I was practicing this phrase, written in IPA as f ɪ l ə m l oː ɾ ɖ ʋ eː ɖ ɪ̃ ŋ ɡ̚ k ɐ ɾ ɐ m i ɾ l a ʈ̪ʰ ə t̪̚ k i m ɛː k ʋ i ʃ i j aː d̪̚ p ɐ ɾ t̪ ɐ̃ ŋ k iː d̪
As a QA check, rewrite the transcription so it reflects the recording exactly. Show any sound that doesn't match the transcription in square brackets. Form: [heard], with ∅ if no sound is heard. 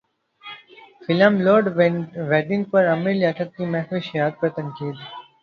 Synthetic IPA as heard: f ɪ l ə m l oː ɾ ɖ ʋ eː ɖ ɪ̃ ŋ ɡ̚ [p] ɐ ɾ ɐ m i ɾ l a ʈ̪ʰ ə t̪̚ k i m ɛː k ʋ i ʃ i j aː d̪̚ p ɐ ɾ t̪ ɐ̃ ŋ k iː d̪